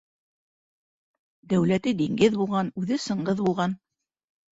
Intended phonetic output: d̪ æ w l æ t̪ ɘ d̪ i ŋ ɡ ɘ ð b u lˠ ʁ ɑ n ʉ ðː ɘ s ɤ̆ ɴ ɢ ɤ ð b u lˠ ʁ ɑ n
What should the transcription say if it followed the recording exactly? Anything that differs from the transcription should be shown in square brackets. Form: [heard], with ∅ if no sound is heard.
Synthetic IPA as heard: d̪ æ w l æ t̪ ɘ d̪ i ŋ ɡ ɘ ð b u lˠ ʁ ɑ n ʉ [ð] ɘ s ɤ̆ ɴ ɢ ɤ ð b u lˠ ʁ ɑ n